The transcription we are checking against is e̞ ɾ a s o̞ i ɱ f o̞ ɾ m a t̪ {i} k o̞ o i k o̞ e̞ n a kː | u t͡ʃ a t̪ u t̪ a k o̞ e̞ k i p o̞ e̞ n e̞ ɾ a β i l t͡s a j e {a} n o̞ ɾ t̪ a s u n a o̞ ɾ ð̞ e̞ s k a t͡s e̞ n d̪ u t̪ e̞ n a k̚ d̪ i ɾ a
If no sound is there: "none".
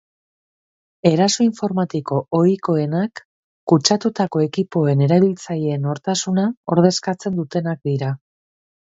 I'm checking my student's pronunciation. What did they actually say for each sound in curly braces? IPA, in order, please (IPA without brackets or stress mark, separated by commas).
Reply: i, e